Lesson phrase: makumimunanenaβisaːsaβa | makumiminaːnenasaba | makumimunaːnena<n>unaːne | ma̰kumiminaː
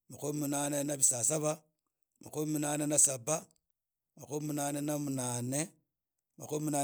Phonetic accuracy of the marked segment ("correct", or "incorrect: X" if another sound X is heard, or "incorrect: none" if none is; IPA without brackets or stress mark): incorrect: m